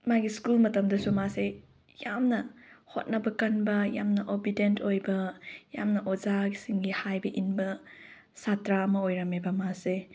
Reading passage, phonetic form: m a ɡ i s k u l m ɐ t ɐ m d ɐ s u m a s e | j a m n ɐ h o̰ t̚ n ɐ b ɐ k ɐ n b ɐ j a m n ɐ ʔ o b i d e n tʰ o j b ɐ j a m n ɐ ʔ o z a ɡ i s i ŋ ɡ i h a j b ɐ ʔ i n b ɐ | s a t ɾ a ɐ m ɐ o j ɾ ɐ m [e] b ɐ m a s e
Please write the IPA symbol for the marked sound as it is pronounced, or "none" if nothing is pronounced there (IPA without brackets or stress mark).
e